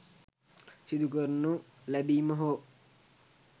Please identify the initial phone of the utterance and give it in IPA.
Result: s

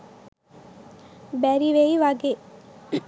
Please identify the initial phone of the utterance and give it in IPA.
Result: b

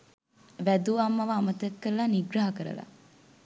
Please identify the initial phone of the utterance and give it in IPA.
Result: ʋ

